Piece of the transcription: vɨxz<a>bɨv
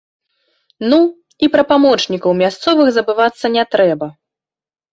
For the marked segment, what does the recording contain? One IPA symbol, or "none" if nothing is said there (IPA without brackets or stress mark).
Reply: ɐ